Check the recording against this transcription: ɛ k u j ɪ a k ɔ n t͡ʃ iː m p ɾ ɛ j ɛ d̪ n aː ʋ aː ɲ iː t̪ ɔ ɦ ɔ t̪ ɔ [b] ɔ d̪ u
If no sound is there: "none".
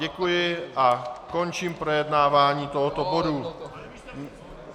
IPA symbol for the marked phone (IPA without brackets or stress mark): b